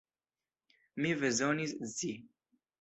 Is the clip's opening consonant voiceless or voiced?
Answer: voiced